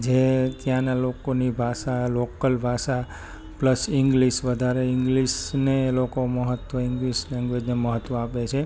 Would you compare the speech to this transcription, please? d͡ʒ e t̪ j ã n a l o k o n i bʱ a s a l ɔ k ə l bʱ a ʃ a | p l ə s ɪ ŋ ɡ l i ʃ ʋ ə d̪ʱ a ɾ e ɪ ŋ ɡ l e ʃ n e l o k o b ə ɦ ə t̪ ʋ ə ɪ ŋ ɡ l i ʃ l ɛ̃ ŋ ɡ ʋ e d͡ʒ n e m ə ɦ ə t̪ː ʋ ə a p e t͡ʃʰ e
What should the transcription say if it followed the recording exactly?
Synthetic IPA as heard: d͡ʒ e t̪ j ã n a l o k o n i bʱ a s a l o k ə l bʱ a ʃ a | p l ə s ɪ ŋ ɡ l i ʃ ʋ ə d̪ʱ a ɾ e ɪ ŋ ɡ l i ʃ n e l o k o m ə ɦ ə t̪ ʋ ə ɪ ŋ ɡ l i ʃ l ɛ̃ ŋ ɡ ʋ e d͡ʒ n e m ə ɦ ə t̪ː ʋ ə a p e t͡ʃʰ e